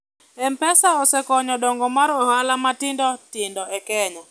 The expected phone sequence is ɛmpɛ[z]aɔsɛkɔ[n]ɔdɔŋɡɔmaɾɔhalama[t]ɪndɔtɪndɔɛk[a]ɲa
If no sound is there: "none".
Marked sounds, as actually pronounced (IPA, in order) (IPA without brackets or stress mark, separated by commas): s, ɲ, t, ɛ